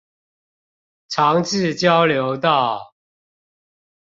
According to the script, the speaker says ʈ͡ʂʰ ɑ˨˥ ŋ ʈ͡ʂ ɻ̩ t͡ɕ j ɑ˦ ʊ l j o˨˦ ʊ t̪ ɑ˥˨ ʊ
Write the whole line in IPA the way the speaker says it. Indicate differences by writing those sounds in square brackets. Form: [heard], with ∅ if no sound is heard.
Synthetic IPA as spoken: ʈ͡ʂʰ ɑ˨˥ ŋ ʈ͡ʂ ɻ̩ t͡ɕ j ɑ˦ ʊ l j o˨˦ ʊ t̪ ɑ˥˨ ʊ